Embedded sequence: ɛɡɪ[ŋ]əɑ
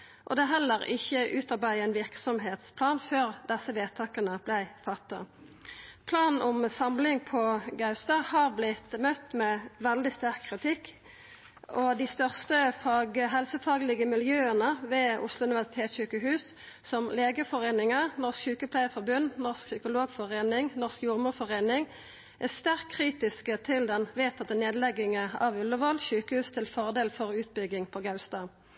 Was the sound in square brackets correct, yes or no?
yes